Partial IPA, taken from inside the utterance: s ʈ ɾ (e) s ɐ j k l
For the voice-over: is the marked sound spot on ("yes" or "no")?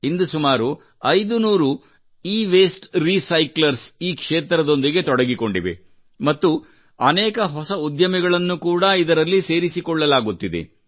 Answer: no